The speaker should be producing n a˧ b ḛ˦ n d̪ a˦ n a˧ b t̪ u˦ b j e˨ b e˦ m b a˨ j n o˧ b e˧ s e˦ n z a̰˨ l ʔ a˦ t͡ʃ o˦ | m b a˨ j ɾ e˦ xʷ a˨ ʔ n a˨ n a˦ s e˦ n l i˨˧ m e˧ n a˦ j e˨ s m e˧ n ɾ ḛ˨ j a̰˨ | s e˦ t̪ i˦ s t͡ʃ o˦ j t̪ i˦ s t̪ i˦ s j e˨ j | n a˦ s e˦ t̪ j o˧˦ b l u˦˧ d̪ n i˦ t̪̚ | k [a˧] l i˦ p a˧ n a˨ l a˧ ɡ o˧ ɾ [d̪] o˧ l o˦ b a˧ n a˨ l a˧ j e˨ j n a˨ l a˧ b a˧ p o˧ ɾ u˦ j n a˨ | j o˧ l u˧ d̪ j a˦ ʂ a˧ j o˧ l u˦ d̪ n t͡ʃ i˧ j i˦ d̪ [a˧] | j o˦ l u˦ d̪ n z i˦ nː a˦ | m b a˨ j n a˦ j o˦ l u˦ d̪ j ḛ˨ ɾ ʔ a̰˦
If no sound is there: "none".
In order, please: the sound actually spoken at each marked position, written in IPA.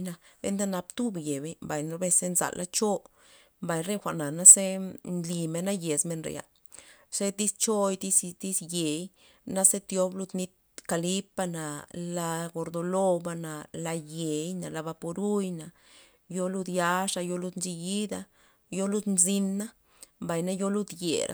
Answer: a˧, d̪, a˧

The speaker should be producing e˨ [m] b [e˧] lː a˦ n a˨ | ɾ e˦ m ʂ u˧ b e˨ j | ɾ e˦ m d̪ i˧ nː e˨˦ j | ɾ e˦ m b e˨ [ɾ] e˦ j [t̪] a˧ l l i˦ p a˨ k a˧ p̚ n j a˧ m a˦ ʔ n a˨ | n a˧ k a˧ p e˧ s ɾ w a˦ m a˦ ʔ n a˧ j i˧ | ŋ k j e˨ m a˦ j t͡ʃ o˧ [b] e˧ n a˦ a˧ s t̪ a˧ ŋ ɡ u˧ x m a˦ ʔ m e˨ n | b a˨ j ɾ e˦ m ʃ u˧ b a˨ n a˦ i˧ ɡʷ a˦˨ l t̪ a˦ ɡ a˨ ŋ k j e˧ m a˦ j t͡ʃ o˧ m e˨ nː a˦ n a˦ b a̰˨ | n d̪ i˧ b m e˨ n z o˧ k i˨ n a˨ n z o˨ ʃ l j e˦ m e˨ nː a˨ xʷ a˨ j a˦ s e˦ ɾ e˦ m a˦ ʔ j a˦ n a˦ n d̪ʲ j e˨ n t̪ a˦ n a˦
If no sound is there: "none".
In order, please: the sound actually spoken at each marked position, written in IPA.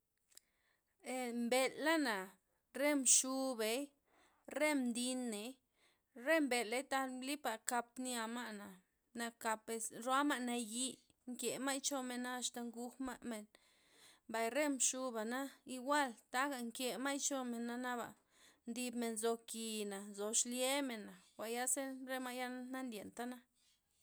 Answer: m, e˧, l, t̪, m

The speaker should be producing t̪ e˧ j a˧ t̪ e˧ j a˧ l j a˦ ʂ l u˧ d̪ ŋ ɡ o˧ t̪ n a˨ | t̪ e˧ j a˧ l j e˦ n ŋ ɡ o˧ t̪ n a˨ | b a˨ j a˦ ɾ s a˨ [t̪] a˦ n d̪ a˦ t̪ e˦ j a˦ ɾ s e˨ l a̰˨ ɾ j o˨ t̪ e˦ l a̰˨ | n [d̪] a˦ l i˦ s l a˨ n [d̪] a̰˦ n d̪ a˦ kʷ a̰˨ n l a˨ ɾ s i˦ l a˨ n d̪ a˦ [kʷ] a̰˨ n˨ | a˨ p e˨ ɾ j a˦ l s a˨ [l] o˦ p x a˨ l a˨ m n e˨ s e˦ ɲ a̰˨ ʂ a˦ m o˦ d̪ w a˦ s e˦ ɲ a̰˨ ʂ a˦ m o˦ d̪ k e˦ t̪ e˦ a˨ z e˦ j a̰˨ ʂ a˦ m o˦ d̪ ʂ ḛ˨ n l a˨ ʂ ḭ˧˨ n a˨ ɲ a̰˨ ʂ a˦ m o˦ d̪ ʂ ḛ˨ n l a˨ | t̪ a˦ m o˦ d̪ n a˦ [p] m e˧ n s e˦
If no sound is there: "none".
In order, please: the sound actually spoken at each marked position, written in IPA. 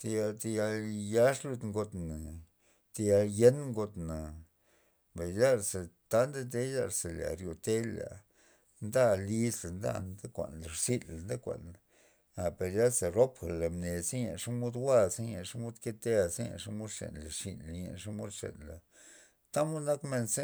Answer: t̪, d̪, d̪, kʷ, ɾ, k

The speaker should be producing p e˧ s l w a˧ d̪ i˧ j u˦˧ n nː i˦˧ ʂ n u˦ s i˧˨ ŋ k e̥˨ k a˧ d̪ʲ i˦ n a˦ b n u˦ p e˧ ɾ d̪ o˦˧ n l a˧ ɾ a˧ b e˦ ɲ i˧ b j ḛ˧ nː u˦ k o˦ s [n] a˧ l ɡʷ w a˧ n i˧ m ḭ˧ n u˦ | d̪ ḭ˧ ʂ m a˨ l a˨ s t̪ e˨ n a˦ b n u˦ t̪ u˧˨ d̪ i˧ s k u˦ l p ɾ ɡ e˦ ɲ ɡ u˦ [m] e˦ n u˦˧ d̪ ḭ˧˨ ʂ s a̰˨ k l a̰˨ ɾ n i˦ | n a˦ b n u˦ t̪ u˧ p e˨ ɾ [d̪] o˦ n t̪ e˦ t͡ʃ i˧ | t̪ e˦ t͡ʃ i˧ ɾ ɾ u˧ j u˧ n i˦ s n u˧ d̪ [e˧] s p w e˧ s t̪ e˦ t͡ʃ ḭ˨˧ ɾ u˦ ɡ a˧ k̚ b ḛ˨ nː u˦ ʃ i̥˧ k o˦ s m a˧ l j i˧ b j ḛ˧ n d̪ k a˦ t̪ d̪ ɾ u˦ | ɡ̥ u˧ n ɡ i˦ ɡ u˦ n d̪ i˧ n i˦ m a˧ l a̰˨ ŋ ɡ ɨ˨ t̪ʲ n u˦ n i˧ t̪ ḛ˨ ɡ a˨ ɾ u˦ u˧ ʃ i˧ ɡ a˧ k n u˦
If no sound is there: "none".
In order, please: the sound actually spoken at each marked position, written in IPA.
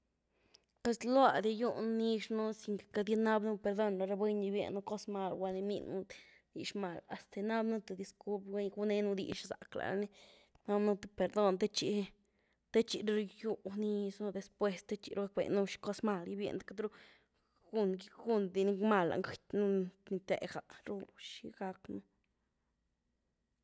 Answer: m, n, d̪, e˧

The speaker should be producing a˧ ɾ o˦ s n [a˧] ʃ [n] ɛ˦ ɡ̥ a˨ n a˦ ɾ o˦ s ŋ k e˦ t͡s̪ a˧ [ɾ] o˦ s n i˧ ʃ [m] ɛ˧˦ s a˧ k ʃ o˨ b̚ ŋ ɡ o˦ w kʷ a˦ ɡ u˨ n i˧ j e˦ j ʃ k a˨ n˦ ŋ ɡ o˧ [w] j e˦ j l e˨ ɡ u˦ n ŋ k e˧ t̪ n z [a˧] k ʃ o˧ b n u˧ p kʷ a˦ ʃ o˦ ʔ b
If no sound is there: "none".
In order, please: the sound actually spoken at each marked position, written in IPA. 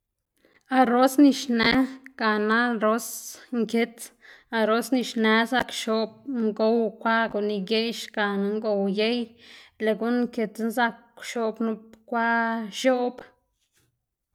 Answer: i˧, n, ɾ, n, w, a˧

